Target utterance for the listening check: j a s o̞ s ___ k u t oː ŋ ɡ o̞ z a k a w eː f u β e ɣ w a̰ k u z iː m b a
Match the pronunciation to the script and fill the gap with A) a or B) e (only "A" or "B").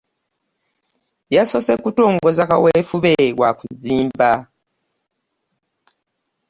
B